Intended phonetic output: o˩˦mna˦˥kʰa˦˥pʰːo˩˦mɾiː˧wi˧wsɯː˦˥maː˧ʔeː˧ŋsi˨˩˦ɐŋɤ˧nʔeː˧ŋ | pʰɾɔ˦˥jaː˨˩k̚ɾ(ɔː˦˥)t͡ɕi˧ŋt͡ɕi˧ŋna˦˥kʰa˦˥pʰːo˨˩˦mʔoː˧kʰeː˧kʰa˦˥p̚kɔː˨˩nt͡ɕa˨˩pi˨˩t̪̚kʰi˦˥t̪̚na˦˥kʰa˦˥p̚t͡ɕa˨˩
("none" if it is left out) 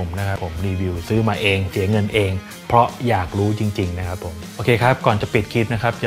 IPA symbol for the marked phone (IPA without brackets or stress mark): uː˦˥